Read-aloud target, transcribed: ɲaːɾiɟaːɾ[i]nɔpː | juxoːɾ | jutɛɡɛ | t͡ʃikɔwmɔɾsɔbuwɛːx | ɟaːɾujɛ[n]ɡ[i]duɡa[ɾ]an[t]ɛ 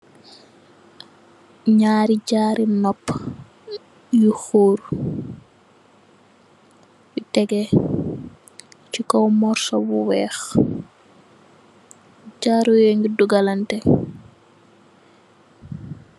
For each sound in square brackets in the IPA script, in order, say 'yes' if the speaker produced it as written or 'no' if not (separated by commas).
yes, no, yes, no, yes